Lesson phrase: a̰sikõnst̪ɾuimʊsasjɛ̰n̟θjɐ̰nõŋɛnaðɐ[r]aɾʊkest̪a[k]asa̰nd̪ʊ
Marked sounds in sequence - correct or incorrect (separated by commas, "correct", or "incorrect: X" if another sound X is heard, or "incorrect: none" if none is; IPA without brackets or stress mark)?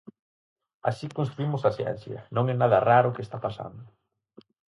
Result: correct, incorrect: p